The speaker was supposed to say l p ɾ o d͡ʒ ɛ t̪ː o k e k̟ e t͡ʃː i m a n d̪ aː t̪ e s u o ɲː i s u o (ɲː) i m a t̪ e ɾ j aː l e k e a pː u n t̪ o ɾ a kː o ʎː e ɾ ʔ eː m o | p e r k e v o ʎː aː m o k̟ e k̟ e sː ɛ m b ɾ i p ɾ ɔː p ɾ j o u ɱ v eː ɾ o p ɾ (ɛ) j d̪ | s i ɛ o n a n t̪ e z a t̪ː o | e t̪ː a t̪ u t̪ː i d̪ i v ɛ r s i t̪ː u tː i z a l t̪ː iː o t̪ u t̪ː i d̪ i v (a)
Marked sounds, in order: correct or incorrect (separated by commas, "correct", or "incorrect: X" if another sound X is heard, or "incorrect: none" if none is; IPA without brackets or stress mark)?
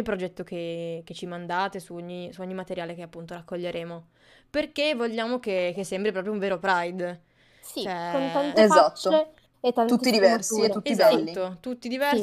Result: correct, incorrect: a, incorrect: ɛ